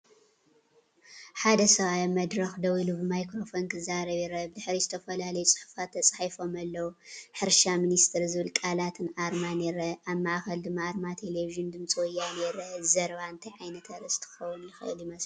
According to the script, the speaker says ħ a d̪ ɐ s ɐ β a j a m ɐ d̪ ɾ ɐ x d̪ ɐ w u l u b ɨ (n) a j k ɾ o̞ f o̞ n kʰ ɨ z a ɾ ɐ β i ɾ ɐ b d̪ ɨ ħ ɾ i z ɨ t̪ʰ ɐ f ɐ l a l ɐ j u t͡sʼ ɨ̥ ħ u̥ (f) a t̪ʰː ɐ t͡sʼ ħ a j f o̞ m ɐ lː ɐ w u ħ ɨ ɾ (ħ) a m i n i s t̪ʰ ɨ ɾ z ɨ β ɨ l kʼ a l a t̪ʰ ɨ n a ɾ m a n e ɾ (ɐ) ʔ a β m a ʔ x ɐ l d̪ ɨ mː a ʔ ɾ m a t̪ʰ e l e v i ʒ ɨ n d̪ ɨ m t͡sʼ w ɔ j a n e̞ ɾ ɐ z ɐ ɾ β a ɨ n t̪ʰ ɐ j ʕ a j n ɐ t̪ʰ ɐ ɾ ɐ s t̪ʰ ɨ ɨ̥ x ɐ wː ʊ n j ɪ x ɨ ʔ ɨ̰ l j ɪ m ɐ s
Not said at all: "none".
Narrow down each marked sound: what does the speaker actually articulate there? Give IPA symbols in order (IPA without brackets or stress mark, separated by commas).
m, f, ʃ, ɐ